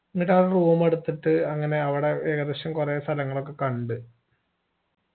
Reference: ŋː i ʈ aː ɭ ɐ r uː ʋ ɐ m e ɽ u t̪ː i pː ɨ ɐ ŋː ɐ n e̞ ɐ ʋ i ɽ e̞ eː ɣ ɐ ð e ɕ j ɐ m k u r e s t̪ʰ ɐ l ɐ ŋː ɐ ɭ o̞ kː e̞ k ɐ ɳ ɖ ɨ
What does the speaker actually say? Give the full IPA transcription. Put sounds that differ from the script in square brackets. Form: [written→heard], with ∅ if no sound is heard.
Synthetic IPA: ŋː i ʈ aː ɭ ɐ r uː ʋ ɐ m e ɽ u t̪ː i [pː→ʈː] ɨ ɐ ŋː ɐ n e̞ ɐ ʋ i ɽ e̞ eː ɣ ɐ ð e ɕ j ɐ m k u r e s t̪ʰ ɐ l ɐ ŋː ɐ ɭ o̞ kː e̞ k ɐ ɳ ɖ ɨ